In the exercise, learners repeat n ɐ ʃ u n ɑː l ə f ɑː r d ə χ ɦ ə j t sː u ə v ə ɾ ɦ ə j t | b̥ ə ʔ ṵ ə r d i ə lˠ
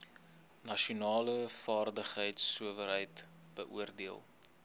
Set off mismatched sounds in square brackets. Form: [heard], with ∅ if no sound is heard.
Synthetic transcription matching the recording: n ɐ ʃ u n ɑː l ə f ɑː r d ə χ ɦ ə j t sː u ə v ə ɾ ɦ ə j t | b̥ ə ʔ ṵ ə r d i ə lˠ